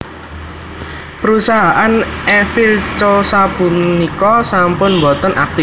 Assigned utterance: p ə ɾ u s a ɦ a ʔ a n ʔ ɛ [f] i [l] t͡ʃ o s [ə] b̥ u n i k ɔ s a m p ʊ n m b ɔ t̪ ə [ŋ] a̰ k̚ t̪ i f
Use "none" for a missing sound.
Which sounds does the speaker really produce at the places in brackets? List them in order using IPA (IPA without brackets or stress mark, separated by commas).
f, l, a, n